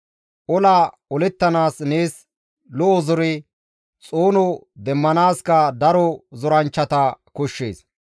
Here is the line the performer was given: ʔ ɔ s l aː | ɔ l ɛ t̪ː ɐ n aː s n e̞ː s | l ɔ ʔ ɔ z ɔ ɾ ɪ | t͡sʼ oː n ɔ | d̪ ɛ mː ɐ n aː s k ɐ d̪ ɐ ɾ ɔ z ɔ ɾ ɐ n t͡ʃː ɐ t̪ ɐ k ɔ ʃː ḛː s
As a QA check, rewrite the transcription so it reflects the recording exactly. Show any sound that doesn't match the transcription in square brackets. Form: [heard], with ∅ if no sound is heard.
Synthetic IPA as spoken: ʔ ɔ [∅] l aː | ɔ l ɛ t̪ː ɐ n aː s n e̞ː s | l ɔ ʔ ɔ z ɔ ɾ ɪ | t͡sʼ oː n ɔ | d̪ ɛ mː ɐ n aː s k ɐ d̪ ɐ ɾ ɔ z ɔ ɾ ɐ n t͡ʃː ɐ t̪ ɐ k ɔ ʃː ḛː s